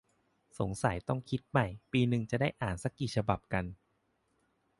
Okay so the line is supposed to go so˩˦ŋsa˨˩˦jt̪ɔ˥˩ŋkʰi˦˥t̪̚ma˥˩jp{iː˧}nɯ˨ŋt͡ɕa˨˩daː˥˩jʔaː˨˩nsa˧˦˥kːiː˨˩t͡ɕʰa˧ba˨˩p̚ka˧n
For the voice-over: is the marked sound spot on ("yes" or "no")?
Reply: yes